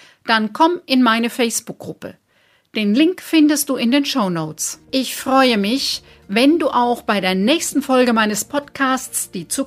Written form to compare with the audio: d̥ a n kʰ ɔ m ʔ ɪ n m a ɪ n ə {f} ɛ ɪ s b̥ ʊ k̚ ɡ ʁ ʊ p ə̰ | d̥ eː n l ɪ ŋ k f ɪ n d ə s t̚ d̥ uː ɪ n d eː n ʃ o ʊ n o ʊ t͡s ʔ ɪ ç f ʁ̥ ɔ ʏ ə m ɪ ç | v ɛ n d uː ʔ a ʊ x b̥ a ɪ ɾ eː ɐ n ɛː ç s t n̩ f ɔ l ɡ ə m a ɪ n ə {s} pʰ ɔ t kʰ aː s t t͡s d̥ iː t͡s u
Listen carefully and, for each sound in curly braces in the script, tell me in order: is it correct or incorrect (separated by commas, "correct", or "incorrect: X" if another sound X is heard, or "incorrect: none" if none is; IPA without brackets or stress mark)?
correct, correct